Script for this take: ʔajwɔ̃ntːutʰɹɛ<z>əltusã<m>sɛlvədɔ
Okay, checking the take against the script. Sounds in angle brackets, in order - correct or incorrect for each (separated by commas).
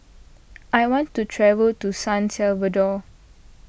incorrect, incorrect